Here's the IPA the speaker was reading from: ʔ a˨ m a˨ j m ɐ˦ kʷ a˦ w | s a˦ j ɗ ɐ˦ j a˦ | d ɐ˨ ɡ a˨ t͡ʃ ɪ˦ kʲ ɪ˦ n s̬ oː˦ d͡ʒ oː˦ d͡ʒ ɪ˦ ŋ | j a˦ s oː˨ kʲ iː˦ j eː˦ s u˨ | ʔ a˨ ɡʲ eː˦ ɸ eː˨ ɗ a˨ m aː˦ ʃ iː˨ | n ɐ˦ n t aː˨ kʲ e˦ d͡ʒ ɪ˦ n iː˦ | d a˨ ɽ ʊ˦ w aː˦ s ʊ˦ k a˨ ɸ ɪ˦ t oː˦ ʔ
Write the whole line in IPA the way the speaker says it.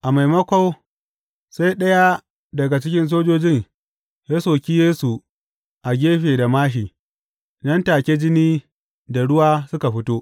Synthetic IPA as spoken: ʔ a˨ m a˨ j m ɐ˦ kʷ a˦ w | s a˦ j ɗ ɐ˦ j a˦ | d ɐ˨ ɡ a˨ t͡ʃ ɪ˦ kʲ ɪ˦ n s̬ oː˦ d͡ʒ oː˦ d͡ʒ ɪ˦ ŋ | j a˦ s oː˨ kʲ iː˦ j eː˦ s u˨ | ʔ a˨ ɡʲ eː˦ ɸ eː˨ d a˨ m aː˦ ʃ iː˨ | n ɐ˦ n t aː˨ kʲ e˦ d͡ʒ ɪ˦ n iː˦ | d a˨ ɽ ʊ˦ w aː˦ s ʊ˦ k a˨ ɸ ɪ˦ t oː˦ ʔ